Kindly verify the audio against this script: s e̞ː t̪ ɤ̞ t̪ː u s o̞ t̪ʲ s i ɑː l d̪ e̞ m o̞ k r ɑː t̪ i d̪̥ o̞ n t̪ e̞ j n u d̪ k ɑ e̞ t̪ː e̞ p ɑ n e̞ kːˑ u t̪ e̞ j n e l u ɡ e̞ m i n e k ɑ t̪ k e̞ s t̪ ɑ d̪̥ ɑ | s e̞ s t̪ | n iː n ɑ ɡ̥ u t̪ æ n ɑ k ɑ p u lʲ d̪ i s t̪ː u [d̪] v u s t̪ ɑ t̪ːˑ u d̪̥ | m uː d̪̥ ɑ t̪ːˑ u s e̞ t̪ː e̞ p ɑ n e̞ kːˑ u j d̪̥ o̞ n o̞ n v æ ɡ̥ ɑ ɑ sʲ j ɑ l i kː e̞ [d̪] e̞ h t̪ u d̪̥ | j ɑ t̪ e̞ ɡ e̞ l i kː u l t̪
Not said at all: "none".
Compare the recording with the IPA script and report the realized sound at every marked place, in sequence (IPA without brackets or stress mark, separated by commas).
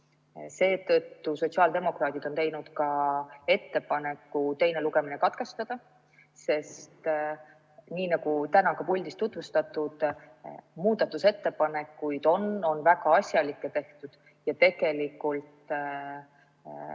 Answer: t̪, t̪